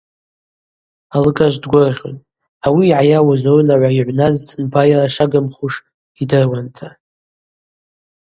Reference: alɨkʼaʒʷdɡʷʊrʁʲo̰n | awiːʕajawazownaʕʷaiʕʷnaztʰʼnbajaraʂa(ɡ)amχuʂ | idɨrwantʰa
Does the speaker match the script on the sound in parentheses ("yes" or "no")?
yes